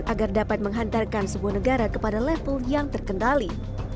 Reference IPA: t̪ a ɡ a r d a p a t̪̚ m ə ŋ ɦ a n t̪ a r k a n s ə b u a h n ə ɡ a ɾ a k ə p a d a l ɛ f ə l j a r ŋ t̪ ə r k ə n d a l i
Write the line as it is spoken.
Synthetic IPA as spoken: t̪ a ɡ a r d a p a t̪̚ m ə ŋ ɦ a n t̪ a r k a n s ə b u a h n ə ɡ a ɾ a k ə p a d a l ɛ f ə l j a ŋ t̪ ə r k ə n d a l i